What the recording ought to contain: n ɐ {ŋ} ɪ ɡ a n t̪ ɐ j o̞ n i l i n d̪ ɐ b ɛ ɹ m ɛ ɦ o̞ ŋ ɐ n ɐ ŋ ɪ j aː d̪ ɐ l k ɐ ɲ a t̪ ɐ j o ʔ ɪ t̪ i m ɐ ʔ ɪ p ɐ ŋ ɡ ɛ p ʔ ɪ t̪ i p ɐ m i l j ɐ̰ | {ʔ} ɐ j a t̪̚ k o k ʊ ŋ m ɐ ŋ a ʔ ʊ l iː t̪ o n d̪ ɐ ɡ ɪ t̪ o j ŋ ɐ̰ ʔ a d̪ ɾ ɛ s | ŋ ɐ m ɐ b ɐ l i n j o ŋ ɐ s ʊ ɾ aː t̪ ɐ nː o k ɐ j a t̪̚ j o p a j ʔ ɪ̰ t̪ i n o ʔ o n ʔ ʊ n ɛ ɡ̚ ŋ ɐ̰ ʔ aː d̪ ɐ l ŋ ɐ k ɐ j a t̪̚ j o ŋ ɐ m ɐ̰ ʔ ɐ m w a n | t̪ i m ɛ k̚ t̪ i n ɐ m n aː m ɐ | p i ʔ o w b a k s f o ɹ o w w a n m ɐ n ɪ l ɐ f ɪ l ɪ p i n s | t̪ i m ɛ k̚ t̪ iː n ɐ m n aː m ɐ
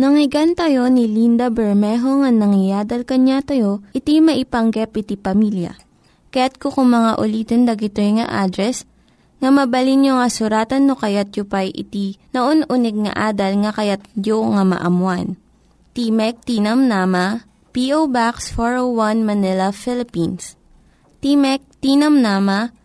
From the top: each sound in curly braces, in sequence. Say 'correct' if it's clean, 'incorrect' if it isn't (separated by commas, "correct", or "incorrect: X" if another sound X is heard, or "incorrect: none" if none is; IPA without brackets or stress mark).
correct, incorrect: k